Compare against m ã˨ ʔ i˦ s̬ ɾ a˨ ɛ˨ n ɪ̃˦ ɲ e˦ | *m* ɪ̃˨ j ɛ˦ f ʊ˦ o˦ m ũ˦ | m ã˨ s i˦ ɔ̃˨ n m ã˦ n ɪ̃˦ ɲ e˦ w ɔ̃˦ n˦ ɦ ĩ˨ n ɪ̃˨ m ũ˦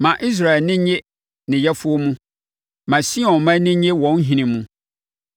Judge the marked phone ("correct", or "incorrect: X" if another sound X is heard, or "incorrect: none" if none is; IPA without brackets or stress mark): incorrect: n